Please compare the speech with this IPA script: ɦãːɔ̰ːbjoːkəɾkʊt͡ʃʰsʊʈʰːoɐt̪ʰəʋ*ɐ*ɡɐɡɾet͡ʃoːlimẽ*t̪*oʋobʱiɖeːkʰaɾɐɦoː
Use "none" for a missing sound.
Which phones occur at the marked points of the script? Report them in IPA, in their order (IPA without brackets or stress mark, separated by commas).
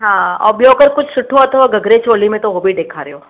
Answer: a, t̪